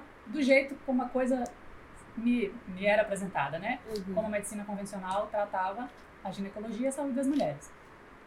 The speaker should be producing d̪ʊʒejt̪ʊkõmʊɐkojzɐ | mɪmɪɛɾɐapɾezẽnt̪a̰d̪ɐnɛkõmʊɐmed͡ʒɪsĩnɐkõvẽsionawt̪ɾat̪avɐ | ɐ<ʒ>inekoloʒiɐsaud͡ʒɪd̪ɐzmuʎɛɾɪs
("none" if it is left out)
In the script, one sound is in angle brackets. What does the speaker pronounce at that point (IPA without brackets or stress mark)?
ʒ